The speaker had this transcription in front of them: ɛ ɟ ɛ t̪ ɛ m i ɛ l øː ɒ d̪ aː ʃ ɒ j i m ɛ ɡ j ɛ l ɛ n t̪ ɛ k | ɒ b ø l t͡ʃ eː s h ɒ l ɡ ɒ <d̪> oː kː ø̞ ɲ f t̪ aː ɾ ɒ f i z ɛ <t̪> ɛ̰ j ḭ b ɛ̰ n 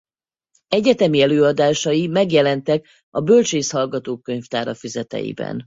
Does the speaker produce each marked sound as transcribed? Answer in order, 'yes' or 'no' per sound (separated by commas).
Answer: no, yes